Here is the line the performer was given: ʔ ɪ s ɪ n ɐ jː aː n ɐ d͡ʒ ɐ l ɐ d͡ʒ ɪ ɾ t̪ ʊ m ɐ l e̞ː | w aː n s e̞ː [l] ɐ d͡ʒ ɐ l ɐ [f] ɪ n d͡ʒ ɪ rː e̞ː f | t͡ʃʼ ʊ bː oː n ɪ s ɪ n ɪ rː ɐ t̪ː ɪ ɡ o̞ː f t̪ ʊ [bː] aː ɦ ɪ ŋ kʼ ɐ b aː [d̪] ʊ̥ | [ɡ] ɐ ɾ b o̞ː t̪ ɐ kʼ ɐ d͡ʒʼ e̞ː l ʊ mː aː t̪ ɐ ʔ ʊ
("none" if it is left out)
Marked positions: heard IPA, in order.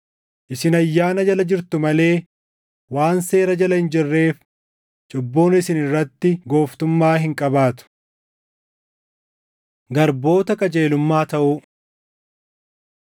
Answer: ɾ, h, mː, t̪, ɡ

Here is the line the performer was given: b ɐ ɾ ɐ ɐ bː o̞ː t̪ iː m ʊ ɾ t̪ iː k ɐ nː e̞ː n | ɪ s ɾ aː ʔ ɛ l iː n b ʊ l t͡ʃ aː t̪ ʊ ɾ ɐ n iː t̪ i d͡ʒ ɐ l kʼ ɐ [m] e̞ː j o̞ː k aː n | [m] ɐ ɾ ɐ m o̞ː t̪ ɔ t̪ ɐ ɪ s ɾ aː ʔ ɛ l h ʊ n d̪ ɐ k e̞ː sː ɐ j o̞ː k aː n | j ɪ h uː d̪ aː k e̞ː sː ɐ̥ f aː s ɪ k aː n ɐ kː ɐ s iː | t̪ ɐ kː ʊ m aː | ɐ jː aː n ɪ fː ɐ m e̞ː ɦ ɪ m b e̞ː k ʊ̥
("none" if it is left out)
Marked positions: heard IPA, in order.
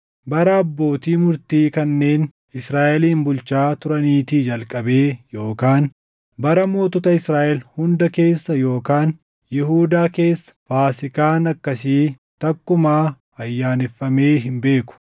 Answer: b, b

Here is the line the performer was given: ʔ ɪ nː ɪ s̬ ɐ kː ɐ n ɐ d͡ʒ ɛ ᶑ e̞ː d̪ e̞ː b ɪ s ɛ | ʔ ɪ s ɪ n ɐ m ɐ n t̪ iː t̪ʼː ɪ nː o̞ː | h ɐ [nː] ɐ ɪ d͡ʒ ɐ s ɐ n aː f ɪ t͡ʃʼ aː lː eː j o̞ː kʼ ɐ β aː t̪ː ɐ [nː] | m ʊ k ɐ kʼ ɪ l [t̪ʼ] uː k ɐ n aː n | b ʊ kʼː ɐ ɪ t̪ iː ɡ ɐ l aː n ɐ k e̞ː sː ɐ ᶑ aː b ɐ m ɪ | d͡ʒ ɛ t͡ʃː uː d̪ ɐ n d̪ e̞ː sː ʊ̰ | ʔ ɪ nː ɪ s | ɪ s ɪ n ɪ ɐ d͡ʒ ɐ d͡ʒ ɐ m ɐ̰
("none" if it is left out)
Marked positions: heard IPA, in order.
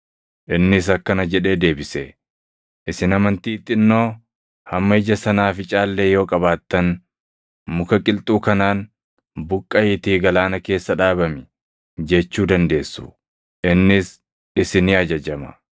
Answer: mː, n, t̪ʼ

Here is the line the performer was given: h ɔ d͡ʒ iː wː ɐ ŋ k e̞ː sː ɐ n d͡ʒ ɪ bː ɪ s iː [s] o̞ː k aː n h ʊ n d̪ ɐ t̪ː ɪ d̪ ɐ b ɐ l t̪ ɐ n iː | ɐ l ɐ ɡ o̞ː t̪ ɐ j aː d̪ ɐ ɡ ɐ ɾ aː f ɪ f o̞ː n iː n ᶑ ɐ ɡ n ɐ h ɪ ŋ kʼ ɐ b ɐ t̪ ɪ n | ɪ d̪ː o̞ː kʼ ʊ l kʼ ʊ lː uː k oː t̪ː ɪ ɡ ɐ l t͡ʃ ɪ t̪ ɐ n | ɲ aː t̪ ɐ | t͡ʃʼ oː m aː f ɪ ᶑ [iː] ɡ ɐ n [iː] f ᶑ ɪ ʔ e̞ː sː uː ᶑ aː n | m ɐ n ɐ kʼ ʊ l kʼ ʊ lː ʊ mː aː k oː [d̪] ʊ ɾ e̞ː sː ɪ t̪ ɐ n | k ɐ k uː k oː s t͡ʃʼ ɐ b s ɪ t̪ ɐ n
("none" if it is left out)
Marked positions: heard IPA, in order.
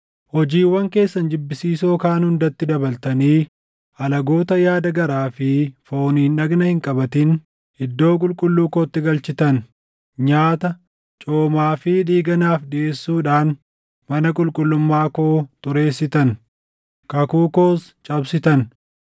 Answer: s, iː, aː, t̪

